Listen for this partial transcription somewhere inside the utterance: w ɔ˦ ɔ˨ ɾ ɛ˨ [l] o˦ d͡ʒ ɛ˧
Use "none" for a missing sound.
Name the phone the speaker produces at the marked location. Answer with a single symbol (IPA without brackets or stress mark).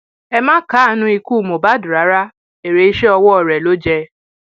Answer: l